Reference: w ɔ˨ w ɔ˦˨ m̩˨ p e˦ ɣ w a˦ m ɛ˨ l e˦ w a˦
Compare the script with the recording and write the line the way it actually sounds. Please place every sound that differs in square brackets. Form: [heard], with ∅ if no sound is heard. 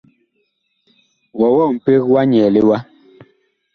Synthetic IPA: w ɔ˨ w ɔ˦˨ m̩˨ p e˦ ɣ w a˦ [ɲ] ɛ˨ l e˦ w a˦